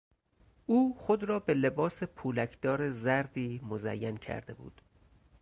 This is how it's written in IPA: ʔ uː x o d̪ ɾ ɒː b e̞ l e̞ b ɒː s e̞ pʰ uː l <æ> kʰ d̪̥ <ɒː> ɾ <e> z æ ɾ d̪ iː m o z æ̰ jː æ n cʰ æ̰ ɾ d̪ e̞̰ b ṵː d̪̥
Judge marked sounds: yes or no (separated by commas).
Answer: yes, yes, yes